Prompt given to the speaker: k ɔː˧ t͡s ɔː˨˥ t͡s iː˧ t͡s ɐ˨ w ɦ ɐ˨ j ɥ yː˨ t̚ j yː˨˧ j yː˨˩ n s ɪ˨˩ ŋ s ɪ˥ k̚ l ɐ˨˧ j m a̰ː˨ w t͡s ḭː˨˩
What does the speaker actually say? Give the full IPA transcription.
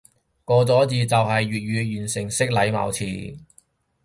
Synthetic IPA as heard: k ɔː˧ t͡s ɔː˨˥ t͡s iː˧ t͡s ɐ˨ w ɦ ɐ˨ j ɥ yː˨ t̚ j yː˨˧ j yː˨˩ n s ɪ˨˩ ŋ s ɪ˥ k̚ l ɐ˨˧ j m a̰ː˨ w t͡sʰ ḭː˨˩